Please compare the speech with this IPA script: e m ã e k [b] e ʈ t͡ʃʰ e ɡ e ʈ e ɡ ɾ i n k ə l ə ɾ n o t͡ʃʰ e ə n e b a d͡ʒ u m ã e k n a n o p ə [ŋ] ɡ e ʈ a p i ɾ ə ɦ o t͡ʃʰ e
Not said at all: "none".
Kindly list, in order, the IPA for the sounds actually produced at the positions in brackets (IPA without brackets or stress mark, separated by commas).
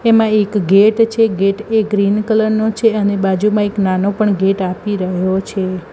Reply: ɡ, ɳ